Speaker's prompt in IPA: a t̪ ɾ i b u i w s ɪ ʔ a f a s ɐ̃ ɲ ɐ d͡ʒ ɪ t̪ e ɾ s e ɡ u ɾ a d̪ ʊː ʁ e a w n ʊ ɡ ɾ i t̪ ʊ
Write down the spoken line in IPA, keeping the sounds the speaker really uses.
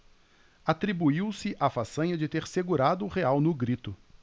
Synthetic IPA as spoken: a t̪ ɾ i b u i w s ɪ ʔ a f a s ɐ̃ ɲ ɐ d͡ʒ ɪ t̪ e ɾ s e ɡ u ɾ a d̪ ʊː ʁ e a w n ʊ ɡ ɾ i t̪ ʊ